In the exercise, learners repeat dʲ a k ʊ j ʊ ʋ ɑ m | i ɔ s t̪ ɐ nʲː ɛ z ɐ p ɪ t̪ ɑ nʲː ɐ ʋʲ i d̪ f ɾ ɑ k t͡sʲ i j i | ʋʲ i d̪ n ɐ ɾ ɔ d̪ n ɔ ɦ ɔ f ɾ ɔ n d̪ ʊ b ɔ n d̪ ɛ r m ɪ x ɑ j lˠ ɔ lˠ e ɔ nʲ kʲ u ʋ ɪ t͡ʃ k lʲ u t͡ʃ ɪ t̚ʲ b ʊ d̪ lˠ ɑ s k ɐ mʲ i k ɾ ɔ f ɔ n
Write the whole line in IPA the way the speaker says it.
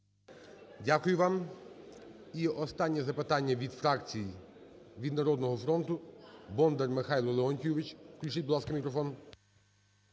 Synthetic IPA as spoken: dʲ a k ʊ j ʊ ʋ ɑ m | i ɔ s t̪ ɑ nʲː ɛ z ɐ p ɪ t̪ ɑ nʲː ɐ ʋʲ i d̪ f ɾ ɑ k t͡sʲ i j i | ʋʲ i d̪ n ɐ ɾ ɔ d̪ n ɔ ɦ ɔ f ɾ ɔ n t̪ ʊ b ɔ n d̪ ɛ r m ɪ x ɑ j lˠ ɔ lˠ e ɔ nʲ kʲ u ʋ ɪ t͡ʃ k lʲ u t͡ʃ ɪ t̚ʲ b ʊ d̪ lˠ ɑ s k ɐ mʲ i k ɾ ɔ f ɔ n